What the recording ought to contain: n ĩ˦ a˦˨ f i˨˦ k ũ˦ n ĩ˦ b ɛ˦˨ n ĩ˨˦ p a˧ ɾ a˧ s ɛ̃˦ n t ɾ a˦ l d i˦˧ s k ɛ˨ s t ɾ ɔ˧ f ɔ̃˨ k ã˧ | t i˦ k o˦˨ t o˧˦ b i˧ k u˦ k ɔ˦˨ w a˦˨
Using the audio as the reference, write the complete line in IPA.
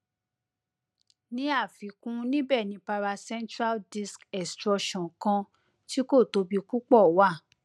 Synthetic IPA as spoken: n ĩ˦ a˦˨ f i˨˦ k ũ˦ n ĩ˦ b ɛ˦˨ n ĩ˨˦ p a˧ ɾ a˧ s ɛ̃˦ n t ɾ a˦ l d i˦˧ s k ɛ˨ s t ɾ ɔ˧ ʃ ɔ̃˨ k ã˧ | t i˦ k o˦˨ t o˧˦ b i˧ k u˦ k͡p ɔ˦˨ w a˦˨